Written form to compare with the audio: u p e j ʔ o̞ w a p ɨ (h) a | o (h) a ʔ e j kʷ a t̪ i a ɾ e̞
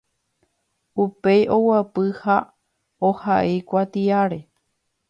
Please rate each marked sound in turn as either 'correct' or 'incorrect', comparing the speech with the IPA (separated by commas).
correct, correct